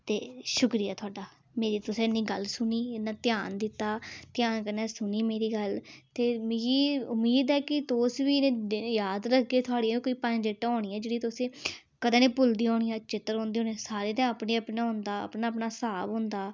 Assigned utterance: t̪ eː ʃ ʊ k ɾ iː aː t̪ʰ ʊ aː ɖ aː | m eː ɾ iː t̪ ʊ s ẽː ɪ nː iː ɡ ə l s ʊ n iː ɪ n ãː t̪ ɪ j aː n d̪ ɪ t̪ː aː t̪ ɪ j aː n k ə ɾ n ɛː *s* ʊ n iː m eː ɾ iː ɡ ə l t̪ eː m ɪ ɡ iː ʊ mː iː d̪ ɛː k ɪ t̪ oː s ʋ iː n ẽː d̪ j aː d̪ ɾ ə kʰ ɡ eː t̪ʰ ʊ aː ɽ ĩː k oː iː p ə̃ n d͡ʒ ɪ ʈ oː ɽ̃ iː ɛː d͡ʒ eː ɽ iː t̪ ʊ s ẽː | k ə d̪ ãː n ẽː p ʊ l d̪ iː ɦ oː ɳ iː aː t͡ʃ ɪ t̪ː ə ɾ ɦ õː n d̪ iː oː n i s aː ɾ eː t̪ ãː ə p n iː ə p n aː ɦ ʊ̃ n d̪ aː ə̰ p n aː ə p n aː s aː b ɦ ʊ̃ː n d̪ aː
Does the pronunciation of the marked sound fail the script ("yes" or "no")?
no